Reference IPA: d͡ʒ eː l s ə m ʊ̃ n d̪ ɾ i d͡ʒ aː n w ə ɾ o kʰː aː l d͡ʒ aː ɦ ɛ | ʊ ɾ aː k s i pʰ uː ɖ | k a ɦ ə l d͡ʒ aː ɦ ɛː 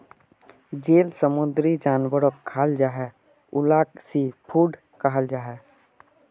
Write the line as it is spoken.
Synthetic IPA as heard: d͡ʒ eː l s ə m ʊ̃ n d̪ ɾ i d͡ʒ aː n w ə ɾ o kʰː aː l d͡ʒ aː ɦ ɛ | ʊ l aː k s i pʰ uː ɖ | k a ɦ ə l d͡ʒ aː ɦ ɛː